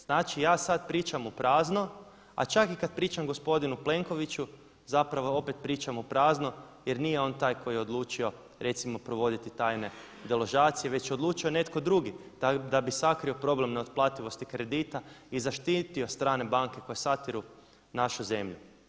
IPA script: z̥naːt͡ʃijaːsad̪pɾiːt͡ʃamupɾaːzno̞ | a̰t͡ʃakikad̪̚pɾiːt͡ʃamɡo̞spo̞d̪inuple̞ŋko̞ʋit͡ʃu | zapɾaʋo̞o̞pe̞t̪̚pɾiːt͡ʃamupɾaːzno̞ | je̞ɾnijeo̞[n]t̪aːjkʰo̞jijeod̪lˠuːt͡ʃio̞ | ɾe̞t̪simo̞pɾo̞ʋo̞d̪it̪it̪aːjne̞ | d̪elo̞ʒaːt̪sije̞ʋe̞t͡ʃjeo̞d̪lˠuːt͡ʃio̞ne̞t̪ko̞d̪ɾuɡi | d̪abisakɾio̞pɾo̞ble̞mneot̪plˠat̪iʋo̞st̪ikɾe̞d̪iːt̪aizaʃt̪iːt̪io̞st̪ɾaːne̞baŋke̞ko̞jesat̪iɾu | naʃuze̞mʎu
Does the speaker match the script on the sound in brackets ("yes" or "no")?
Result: yes